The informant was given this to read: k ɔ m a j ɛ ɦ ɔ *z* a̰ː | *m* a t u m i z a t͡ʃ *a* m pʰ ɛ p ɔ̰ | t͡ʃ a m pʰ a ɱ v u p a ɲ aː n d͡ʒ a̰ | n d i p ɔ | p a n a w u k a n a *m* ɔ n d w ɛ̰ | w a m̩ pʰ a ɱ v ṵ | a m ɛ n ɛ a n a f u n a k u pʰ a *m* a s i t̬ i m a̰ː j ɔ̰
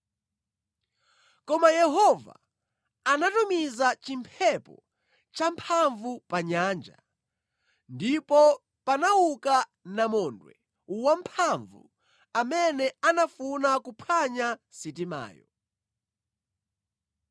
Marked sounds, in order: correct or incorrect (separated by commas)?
incorrect, incorrect, incorrect, correct, incorrect